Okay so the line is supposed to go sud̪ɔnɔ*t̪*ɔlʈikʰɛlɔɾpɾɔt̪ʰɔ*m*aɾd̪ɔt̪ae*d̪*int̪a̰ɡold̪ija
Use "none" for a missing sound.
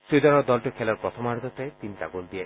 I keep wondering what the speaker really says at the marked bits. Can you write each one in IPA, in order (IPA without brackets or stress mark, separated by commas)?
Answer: d̪, m, t̪